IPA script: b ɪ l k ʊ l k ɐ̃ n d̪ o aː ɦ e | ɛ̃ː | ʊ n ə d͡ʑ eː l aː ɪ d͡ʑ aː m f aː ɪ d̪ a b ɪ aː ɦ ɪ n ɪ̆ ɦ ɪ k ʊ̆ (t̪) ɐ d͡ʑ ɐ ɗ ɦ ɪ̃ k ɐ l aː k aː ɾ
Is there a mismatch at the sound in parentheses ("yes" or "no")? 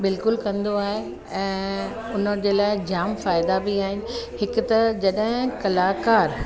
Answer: no